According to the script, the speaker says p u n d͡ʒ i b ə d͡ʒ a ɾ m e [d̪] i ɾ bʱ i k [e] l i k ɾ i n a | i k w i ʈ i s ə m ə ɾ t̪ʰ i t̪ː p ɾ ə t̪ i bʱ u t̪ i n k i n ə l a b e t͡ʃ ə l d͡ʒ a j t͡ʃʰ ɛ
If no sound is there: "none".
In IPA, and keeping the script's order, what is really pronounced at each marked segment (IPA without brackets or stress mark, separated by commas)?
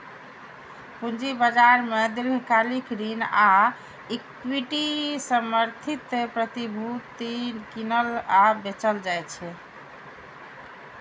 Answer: d̪, a